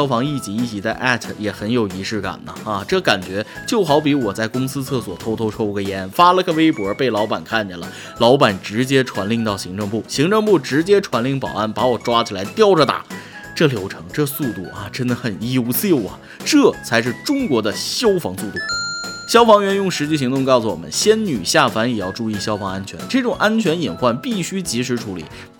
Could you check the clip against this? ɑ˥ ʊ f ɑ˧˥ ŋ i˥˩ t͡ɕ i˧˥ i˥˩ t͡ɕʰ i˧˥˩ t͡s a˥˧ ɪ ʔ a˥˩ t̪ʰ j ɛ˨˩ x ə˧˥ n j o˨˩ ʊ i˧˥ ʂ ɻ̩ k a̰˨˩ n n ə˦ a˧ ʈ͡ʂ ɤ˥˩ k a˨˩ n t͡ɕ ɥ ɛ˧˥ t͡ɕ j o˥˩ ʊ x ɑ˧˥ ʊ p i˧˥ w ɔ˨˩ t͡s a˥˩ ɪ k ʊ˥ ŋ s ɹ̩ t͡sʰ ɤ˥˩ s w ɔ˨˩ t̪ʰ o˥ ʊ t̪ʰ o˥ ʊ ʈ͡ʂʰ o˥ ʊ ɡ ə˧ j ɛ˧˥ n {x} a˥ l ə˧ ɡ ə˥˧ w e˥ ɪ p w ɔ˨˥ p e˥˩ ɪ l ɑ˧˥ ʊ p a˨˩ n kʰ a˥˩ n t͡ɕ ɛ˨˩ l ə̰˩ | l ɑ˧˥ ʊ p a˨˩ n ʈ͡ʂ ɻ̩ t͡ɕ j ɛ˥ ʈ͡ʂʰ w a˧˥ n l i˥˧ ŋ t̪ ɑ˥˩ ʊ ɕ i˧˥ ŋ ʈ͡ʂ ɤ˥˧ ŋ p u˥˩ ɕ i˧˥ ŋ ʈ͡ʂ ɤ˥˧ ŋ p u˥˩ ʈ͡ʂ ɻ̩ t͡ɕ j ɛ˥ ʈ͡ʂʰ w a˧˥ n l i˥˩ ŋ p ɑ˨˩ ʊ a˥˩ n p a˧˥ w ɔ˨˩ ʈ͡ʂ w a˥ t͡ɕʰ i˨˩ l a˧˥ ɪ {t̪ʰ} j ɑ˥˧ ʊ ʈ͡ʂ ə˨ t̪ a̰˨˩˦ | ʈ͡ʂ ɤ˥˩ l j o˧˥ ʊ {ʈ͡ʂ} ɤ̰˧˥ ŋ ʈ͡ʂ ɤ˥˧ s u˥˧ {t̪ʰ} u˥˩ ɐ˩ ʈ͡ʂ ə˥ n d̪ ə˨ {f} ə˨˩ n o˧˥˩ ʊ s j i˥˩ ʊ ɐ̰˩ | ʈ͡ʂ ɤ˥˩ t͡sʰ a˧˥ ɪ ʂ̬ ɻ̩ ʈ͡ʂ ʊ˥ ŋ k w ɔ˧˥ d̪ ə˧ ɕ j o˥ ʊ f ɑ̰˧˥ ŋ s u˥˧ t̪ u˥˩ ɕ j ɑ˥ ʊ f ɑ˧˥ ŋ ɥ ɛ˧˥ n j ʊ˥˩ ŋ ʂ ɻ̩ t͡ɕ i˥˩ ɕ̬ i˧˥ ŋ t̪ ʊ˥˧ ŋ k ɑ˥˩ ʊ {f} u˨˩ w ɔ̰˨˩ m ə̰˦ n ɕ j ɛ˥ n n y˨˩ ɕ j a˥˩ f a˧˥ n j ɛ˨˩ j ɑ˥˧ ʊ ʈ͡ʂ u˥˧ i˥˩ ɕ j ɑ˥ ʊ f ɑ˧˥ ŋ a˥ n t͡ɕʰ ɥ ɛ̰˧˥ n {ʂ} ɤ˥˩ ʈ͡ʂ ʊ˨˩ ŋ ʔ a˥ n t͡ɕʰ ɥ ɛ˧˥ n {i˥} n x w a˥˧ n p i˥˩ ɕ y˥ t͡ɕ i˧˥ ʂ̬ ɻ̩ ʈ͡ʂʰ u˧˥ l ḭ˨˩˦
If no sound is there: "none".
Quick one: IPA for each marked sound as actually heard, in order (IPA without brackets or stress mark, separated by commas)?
f, t̪, ʈ͡ʂʰ, t̪, x, s, ʈ͡ʂ, i˨˩